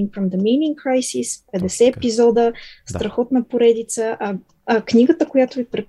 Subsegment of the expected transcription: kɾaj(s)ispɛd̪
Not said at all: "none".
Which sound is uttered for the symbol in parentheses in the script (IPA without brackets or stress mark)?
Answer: s